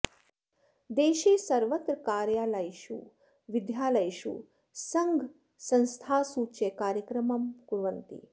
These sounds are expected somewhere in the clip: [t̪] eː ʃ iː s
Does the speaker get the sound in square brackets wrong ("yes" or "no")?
yes